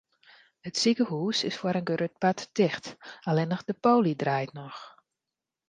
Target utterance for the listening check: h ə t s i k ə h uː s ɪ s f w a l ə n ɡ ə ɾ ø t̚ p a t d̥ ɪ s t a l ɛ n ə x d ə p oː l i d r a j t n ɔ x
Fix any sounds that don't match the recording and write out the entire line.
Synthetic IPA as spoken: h ə t s i k ə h uː s ɪ s f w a ɾ ə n ɡ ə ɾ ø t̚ p a t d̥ ɪ x t a l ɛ n ə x d ə p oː l i d r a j t n ɔ x